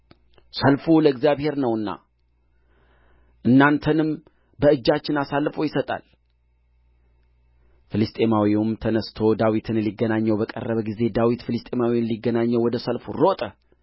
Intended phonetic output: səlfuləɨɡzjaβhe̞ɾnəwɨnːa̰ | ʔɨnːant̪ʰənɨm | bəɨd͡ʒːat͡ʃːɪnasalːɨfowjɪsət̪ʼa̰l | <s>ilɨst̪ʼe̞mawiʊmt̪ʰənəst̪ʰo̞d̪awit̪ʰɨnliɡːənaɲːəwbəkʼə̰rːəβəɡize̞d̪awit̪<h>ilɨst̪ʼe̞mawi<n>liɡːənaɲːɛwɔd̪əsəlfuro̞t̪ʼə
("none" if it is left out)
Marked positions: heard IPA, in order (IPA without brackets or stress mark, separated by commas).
f, f, n